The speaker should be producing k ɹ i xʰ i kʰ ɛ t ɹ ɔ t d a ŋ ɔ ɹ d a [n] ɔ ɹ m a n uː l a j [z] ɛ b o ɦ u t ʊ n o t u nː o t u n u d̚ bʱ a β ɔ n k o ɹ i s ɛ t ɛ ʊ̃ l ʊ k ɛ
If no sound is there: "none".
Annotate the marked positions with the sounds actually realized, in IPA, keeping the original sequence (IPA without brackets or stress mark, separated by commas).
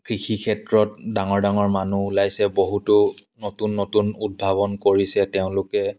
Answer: ŋ, s